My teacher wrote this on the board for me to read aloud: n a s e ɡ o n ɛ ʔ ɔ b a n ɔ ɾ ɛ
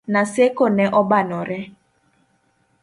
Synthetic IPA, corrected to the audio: n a s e k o n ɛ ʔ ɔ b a n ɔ ɾ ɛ